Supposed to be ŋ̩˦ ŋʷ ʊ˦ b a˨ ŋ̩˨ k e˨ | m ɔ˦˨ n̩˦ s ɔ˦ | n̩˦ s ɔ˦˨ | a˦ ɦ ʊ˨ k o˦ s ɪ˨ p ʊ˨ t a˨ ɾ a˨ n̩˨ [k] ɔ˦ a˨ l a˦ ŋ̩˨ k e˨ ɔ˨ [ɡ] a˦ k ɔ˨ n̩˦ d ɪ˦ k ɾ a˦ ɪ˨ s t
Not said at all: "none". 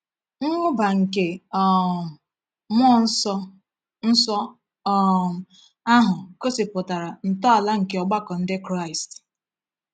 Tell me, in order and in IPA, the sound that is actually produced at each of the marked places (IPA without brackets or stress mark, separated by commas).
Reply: t, ɡ͡b